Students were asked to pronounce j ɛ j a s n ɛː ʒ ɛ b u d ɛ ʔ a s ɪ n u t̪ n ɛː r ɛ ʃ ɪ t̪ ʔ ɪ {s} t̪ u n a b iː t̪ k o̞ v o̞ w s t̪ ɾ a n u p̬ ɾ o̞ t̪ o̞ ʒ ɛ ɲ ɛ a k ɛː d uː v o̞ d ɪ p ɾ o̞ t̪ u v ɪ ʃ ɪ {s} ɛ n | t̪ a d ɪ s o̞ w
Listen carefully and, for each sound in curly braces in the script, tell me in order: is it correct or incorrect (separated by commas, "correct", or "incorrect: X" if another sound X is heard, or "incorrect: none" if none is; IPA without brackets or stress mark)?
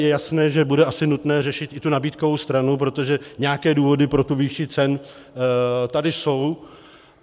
incorrect: none, incorrect: t͡s